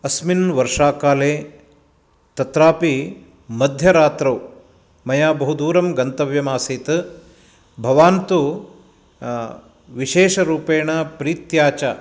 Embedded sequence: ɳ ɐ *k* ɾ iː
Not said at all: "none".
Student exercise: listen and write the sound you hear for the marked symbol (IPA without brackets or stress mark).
p